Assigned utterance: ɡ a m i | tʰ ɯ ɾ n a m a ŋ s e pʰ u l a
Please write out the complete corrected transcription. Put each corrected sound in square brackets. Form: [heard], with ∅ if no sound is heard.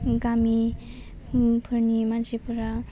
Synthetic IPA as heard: ɡ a m i | [pʰ] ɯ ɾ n [i] m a [n] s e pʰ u [ɾ] a

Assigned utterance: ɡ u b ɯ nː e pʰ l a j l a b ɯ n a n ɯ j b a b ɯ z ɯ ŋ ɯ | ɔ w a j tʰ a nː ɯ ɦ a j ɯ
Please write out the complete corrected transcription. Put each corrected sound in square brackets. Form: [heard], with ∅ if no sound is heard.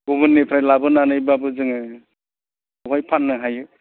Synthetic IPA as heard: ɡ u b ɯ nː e pʰ [ɾ] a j l a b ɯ n a n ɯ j b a b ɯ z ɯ ŋ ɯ | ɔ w a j [pʰ] a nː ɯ ɦ a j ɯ

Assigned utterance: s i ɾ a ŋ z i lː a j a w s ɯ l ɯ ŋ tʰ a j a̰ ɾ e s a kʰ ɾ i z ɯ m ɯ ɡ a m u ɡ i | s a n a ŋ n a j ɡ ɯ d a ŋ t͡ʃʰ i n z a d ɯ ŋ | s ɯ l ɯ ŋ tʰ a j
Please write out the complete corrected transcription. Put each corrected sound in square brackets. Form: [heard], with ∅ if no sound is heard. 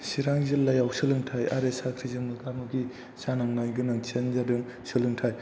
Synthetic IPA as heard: s i ɾ a ŋ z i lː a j a w s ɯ l ɯ ŋ tʰ a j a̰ ɾ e s a kʰ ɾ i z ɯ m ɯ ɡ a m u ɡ i | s a n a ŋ n a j ɡ ɯ [n] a ŋ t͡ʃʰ [e] n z a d ɯ ŋ | s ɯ l ɯ ŋ tʰ a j

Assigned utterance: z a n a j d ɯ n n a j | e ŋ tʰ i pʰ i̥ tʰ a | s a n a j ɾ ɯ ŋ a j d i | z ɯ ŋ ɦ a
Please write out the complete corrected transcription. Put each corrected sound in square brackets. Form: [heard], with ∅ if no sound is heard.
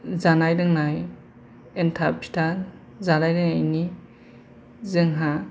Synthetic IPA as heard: z a n a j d ɯ [ŋ] n a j | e [n] tʰ [a] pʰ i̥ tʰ a | [z] a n a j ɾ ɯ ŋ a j [n] i | z ɯ ŋ ɦ a

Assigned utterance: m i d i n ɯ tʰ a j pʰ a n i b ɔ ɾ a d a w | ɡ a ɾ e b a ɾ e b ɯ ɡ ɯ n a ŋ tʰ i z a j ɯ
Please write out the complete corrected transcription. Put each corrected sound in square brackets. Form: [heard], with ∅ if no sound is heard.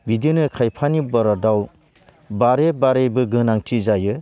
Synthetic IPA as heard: [b] i d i n ɯ [kʰ] a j pʰ a n i b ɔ ɾ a d a w | [b] a ɾ e b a ɾ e b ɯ ɡ ɯ n a ŋ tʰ i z a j ɯ

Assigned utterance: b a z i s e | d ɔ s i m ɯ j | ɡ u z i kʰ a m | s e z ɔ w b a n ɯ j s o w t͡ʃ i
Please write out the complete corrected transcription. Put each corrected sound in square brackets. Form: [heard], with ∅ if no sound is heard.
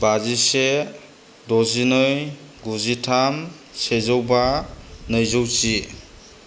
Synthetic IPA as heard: b a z i s e | d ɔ [z] i [n] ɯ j | ɡ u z i [tʰ] a m | s e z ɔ w b a n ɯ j [z] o w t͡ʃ i

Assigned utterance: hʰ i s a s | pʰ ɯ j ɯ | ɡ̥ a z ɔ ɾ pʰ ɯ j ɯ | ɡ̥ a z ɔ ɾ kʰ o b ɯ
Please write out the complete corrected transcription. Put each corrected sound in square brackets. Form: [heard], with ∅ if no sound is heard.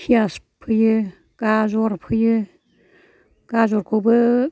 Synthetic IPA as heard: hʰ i [∅] a s | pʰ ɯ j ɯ | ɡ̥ a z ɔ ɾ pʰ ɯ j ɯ | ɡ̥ a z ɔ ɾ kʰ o b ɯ

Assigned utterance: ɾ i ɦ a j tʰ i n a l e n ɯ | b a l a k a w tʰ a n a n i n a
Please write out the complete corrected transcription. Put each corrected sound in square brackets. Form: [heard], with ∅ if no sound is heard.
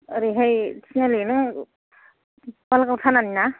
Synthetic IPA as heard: ɾ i ɦ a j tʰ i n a l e n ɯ | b a l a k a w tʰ a n a n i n a

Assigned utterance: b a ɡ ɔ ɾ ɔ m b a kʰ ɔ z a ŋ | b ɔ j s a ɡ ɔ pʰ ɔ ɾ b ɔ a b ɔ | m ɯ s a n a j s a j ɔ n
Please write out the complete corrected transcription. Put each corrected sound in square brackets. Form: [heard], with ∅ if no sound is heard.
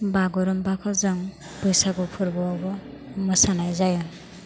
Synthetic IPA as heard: b a ɡ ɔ ɾ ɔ m b a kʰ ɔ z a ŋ | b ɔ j s a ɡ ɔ pʰ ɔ ɾ b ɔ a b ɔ | m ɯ s a n a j [z] a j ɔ n

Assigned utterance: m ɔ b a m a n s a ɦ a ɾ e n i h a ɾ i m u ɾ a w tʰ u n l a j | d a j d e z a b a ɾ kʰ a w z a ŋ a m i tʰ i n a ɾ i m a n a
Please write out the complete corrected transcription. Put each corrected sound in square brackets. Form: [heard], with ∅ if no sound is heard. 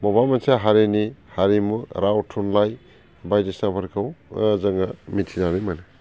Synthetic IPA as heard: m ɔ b a m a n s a ɦ a ɾ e n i h a ɾ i m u ɾ a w tʰ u n l a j | [b] a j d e [s] a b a ɾ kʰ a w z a ŋ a m i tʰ i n a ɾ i m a n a

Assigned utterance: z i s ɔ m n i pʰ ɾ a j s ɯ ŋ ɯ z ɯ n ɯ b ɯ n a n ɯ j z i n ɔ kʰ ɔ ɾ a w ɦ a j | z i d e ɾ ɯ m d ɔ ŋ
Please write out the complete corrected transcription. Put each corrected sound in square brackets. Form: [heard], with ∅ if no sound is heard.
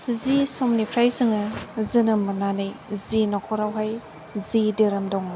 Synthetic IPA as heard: z i s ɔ m n i pʰ ɾ a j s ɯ ŋ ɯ z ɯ n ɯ [m] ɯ n a n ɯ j z i n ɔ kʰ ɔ ɾ a w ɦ a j | z i d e ɾ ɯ m d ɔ ŋ

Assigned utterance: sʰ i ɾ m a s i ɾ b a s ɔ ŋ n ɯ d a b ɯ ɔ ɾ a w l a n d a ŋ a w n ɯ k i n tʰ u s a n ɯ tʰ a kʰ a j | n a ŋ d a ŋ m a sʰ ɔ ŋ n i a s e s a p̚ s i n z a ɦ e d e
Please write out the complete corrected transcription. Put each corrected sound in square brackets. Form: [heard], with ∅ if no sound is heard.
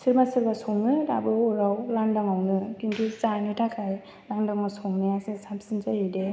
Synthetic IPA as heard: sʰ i ɾ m a s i ɾ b a s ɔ ŋ n ɯ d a b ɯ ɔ ɾ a w l a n d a ŋ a w n ɯ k i n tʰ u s a n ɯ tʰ a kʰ a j | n a ŋ d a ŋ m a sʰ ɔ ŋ n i a s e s a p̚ s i n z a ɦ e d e

